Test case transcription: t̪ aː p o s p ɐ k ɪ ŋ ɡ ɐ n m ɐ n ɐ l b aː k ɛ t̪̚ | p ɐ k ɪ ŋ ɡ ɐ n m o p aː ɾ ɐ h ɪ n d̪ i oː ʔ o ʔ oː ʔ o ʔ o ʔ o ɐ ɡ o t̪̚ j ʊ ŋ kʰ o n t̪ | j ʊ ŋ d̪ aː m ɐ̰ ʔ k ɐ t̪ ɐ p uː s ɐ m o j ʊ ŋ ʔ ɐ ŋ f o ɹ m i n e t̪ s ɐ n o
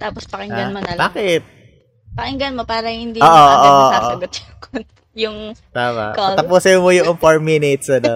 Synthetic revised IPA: t̪ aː p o s p ɐ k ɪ ŋ ɡ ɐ n m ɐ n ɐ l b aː k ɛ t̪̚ | p ɐ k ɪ ŋ ɡ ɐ n m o p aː ɾ ɐ h ɪ n d̪ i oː ʔ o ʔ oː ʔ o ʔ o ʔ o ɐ ɡ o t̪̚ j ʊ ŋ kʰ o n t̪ | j ʊ ŋ t̪ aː m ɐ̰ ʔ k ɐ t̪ ɐ p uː s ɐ m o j ʊ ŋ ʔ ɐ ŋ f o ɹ m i n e t̪ s ɐ n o